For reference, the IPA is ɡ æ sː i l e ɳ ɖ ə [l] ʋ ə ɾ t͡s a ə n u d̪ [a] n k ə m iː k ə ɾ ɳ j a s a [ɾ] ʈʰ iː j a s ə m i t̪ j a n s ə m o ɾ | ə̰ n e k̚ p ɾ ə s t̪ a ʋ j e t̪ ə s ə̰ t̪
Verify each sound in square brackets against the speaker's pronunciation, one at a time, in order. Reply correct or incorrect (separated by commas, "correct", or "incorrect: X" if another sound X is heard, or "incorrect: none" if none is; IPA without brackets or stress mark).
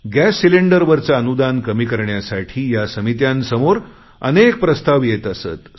incorrect: ɾ, correct, incorrect: none